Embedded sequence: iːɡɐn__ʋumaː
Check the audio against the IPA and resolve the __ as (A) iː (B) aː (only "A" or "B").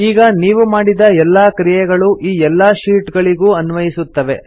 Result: A